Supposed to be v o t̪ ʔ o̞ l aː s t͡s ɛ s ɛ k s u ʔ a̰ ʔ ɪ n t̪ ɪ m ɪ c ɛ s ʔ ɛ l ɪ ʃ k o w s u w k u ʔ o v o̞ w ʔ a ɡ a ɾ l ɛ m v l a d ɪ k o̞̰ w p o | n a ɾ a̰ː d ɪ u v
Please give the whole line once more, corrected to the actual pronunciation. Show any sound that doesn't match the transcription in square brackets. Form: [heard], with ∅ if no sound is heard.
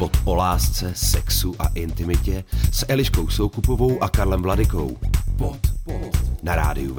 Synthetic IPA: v o t̪ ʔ o̞ l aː s t͡s ɛ s ɛ k s u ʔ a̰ ʔ ɪ n t̪ ɪ m ɪ c ɛ s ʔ ɛ l ɪ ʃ k o w s [o] w k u [p] o v o̞ w ʔ a [k] a ɾ l ɛ m v l a d ɪ k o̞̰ w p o | n a ɾ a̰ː d ɪ u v